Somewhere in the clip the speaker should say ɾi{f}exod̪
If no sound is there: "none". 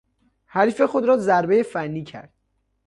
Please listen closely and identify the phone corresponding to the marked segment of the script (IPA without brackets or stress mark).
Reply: f